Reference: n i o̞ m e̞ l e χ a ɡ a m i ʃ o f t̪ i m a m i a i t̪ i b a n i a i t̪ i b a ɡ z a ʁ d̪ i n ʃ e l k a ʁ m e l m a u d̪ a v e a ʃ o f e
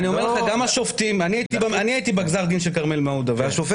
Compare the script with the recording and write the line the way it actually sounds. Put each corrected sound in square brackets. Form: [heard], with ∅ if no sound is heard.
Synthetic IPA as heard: n i o̞ m e̞ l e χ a ɡ a m [a] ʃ o f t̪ i m a [n] i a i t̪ i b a n i a i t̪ i b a ɡ z a ʁ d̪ i n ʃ e l k a ʁ m e l m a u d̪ a v e a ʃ o f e